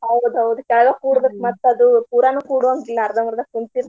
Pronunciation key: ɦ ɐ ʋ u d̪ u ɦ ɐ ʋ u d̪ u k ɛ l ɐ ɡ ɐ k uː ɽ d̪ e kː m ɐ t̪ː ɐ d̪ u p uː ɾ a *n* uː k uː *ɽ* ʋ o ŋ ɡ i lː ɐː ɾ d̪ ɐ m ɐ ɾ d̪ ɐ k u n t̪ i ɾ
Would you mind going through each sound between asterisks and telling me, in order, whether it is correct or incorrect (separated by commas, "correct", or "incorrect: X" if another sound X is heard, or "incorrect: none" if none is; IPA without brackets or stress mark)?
correct, correct